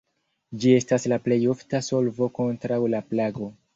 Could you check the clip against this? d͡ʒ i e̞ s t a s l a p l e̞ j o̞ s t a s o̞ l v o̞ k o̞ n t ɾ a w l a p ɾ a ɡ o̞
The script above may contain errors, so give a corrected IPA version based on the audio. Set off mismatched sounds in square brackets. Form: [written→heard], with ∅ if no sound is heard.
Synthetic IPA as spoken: d͡ʒ i e̞ s t a s l a p l e̞ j o̞ [s→f] t a s o̞ l v o̞ k o̞ n t ɾ a w l a p [ɾ→l] a ɡ o̞